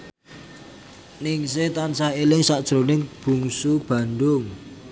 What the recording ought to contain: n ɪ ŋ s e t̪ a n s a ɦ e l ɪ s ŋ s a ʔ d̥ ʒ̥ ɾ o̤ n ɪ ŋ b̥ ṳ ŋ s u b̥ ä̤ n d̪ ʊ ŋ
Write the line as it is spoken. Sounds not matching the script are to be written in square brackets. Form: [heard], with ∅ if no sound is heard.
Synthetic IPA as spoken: n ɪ ŋ s e t̪ a n s a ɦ e l ɪ [∅] ŋ s a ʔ d̥ ʒ̥ ɾ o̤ n ɪ ŋ b̥ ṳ ŋ s u b̥ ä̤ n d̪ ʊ ŋ